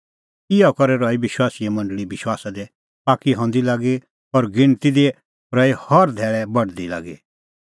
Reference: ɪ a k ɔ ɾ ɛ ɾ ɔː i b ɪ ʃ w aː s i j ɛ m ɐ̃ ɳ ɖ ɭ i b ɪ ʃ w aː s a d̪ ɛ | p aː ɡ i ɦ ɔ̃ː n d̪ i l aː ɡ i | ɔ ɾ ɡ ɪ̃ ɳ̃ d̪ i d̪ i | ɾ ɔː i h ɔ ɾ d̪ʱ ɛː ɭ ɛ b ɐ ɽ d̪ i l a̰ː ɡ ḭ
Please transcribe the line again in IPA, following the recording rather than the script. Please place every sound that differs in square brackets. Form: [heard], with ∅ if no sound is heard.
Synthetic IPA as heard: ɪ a k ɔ ɾ ɛ ɾ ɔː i b ɪ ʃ w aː s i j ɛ m ɐ̃ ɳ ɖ ɭ i b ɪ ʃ w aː s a d̪ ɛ | p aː [k] i ɦ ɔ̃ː n d̪ i l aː ɡ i | ɔ ɾ ɡ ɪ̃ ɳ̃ [t̪] i d̪ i | ɾ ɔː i h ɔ ɾ d̪ʱ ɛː ɭ ɛ b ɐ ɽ d̪ i l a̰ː ɡ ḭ